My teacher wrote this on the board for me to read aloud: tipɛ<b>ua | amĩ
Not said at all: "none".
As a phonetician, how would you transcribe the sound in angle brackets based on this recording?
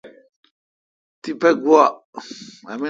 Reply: ɡ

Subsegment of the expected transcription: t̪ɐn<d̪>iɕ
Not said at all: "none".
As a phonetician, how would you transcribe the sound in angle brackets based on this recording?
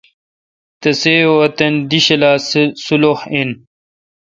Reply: d̪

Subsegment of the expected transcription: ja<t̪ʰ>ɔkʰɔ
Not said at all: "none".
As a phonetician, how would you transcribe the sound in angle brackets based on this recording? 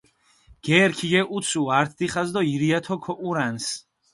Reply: t̪ʰ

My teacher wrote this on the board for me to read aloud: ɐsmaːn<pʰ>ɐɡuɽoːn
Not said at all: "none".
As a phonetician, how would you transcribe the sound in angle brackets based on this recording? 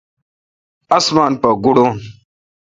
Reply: p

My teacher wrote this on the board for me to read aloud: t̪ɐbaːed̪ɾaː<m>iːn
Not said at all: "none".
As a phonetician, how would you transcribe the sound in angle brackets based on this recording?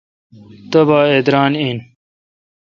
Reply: n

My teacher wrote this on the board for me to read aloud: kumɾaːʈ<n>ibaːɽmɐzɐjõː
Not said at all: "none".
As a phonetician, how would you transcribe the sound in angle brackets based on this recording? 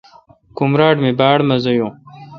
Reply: m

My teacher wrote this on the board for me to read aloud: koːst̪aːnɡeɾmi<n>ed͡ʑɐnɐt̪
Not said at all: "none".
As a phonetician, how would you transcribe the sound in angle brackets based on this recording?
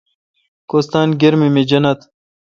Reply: m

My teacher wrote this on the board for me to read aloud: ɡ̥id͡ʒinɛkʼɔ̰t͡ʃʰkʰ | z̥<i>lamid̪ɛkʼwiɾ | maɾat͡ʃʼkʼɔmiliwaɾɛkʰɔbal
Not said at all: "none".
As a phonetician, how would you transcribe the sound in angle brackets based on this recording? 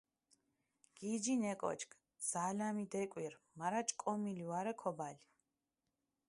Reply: a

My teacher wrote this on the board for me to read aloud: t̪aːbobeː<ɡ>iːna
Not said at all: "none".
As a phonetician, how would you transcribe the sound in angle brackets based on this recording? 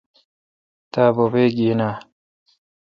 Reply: ɡ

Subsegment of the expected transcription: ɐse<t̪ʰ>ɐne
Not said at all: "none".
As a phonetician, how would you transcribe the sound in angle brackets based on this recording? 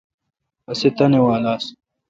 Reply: t̪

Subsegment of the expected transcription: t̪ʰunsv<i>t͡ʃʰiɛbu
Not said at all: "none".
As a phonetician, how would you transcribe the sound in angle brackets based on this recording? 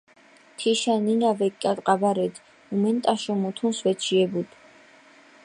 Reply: ɛ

